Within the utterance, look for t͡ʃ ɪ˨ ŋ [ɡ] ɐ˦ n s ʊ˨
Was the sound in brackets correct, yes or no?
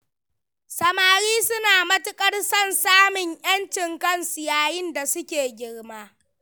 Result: no